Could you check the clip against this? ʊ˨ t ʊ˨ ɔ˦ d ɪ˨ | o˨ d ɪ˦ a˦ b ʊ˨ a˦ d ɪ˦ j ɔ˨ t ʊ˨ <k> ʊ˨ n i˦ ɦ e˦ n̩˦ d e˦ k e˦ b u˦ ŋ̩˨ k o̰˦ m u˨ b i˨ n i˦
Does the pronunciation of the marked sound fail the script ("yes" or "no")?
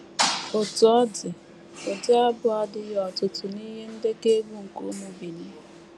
yes